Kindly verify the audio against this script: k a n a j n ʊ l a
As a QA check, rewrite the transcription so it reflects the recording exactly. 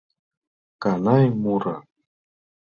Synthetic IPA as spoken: k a n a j m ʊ ɾ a